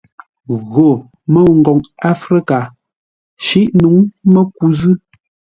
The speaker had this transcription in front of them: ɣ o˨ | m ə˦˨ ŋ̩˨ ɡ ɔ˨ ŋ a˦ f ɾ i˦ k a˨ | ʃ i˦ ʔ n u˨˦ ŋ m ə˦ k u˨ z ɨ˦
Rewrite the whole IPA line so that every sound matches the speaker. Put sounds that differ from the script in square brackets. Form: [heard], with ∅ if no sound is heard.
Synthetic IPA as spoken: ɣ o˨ | m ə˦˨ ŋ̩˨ ɡ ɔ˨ ŋ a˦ f ɾ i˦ k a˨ | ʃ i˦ ʔ n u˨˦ ŋ m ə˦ k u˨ z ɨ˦